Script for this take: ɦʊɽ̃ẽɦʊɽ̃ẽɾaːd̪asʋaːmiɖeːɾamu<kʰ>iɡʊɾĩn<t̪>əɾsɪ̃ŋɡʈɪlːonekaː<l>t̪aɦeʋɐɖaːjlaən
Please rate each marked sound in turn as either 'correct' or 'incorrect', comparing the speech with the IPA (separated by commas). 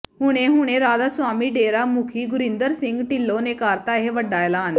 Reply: correct, incorrect, incorrect